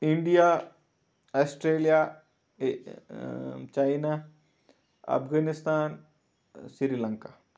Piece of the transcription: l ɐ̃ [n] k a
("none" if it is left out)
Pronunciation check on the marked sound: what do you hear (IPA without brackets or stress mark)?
ŋ